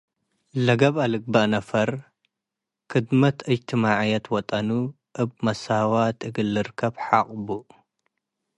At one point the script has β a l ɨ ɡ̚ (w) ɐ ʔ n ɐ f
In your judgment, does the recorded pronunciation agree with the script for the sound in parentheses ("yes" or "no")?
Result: no